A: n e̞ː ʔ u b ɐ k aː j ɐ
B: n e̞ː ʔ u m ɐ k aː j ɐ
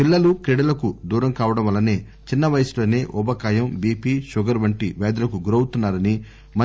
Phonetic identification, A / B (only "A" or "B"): A